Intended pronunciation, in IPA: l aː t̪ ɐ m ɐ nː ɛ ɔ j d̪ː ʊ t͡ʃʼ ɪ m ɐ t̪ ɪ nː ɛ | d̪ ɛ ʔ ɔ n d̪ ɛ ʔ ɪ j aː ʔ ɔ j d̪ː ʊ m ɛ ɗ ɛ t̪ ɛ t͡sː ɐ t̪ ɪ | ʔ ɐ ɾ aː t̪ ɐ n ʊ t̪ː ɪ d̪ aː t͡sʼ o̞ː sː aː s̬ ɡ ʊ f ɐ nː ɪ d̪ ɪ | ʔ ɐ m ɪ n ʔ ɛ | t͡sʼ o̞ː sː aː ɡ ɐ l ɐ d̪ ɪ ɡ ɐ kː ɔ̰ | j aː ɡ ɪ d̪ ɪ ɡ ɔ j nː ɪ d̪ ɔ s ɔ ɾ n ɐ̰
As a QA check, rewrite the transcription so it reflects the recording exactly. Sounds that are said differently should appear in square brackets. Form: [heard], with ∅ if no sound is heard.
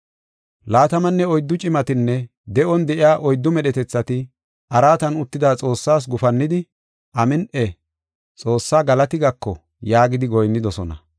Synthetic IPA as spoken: l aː t̪ ɐ m ɐ nː ɛ ɔ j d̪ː ʊ t͡ʃʼ ɪ m ɐ t̪ ɪ nː ɛ | d̪ ɛ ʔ ɔ n d̪ ɛ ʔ ɪ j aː ʔ ɔ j d̪ː ʊ m ɛ ɗ ɛ t̪ ɛ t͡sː ɐ t̪ ɪ | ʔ ɐ ɾ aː t̪ ɐ n ʊ t̪ː ɪ d̪ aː t͡sʼ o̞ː sː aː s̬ ɡ ʊ f ɐ nː ɪ d̪ ɪ | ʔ ɐ m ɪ n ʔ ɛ | t͡sʼ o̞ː sː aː ɡ ɐ l ɐ [t̪] ɪ ɡ ɐ kː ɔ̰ | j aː ɡ ɪ d̪ ɪ ɡ ɔ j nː ɪ d̪ ɔ s ɔ [∅] n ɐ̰